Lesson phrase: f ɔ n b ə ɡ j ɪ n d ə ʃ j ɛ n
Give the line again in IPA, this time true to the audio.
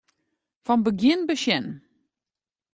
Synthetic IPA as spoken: f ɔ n b ə ɡ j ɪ n b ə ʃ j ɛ n